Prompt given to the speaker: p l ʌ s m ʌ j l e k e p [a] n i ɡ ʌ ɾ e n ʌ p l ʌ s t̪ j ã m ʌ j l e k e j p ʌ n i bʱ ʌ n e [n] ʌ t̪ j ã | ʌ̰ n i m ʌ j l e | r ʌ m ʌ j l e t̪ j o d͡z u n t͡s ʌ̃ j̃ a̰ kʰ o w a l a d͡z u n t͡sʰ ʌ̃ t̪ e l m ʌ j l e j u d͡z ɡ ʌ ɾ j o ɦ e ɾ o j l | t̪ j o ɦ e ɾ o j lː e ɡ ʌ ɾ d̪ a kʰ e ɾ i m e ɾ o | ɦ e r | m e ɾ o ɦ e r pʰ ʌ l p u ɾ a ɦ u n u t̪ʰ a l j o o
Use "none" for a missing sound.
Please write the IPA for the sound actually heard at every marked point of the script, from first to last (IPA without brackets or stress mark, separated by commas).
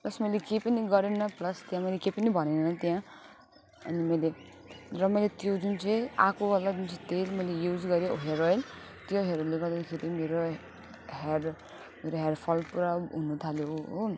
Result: ʌ, n